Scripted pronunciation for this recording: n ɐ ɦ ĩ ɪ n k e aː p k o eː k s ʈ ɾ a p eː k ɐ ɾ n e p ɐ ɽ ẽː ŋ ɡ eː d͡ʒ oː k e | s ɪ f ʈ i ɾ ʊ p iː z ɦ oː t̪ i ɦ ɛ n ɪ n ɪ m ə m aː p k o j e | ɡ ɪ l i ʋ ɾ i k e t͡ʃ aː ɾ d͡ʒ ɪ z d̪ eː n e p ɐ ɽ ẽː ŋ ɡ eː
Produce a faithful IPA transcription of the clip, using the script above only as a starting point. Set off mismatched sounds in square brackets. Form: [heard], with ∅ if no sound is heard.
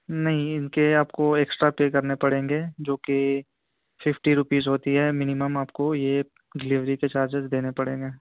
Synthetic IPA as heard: n ɐ ɦ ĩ ɪ n k e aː p k o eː k s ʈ ɾ a p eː k ɐ ɾ n e p ɐ ɽ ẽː ŋ ɡ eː d͡ʒ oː k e | [f] ɪ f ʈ i ɾ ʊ p iː z ɦ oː t̪ i ɦ ɛ [m] ɪ n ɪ m ə m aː p k o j e | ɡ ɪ l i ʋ ɾ i k e t͡ʃ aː ɾ d͡ʒ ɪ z d̪ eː n e p ɐ ɽ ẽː ŋ ɡ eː